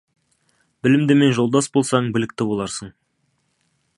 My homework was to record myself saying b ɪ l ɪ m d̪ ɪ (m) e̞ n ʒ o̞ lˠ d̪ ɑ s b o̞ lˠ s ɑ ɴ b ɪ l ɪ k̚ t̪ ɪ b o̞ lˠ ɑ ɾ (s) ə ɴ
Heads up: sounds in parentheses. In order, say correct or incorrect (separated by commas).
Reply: correct, correct